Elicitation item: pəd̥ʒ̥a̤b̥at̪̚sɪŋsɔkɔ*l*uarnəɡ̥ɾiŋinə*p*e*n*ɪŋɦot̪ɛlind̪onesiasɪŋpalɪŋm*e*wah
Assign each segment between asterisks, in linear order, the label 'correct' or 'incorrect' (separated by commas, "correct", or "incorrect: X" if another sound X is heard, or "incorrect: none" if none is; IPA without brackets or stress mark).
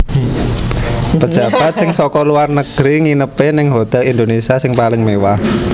correct, correct, correct, correct